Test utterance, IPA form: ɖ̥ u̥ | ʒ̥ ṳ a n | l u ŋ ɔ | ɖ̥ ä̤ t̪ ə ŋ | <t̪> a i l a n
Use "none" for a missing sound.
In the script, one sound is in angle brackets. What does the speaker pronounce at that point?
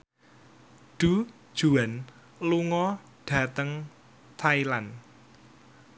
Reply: t̪ʰ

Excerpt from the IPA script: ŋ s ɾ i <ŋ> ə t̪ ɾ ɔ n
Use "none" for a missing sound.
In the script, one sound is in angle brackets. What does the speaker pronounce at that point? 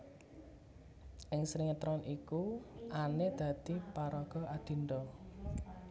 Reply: ŋ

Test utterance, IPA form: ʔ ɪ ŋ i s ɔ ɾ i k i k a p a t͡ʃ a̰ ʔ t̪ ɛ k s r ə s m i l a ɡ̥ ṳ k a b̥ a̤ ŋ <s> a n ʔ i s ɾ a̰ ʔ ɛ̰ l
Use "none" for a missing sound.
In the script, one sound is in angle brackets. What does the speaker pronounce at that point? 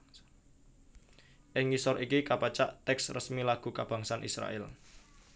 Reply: s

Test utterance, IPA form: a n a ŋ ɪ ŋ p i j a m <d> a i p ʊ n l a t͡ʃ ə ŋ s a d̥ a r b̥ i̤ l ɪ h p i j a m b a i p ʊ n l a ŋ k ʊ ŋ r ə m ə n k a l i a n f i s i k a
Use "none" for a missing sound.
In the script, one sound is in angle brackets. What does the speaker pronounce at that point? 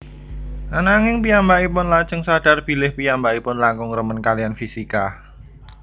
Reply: b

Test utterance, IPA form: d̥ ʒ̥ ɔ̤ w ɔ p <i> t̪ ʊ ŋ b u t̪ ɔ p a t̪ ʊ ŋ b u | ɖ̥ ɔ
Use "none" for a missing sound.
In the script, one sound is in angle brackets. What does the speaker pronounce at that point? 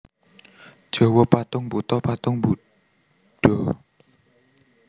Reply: a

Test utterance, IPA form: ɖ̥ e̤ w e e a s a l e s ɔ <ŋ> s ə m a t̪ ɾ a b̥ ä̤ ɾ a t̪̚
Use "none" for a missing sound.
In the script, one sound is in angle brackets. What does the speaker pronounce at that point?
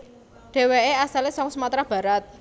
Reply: ŋ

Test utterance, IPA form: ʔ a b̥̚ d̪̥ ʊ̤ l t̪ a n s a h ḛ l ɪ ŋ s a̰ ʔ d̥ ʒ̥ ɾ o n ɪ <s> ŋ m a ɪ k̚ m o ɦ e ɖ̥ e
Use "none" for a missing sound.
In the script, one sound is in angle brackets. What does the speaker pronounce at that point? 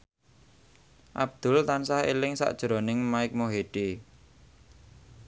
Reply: none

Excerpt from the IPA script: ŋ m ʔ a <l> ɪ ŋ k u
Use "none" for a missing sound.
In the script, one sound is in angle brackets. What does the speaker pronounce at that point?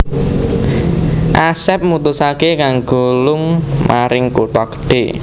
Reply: ɾ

